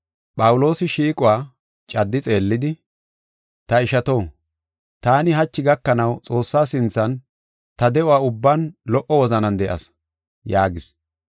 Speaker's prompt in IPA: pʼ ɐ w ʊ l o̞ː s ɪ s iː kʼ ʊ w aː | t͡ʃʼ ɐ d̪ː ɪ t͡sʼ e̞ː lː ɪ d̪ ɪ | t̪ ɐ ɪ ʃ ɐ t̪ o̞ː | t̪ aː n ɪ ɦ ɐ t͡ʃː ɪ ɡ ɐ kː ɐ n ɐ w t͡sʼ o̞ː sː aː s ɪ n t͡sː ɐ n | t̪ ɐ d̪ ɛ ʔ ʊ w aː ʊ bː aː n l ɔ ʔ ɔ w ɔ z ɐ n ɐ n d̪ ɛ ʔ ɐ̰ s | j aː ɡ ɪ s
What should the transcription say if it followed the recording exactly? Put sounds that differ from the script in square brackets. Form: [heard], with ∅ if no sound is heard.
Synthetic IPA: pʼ ɐ w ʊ l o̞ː s ɪ [ʃ] iː kʼ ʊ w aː | t͡ʃʼ ɐ d̪ː ɪ t͡sʼ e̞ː lː ɪ d̪ ɪ | t̪ ɐ ɪ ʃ ɐ t̪ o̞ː | t̪ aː n ɪ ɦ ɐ t͡ʃː ɪ ɡ ɐ kː ɐ n ɐ w t͡sʼ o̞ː sː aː s ɪ n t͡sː ɐ n | t̪ ɐ d̪ ɛ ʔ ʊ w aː ʊ bː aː n l ɔ ʔ ɔ w ɔ z ɐ n ɐ n d̪ ɛ ʔ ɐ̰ s | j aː ɡ ɪ s

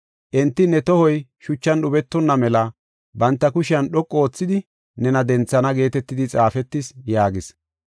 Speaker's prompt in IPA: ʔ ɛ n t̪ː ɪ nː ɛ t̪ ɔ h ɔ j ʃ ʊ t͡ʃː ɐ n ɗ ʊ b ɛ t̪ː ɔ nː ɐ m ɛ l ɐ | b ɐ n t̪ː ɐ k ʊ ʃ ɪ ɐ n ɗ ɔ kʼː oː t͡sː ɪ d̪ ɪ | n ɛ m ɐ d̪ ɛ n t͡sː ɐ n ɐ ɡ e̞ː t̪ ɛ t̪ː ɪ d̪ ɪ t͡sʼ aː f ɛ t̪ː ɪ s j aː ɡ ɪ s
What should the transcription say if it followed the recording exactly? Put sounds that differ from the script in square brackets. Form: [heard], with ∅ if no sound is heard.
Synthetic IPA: ʔ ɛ n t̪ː ɪ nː ɛ t̪ ɔ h ɔ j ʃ ʊ t͡ʃː ɐ n ɗ ʊ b ɛ t̪ː ɔ nː ɐ m ɛ l ɐ | b ɐ n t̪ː ɐ k ʊ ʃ ɪ ɐ n ɗ ɔ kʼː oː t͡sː ɪ d̪ ɪ | n ɛ [n] ɐ d̪ ɛ n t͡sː ɐ n ɐ ɡ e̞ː t̪ ɛ t̪ː ɪ d̪ ɪ t͡sʼ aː f ɛ t̪ː ɪ s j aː ɡ ɪ s

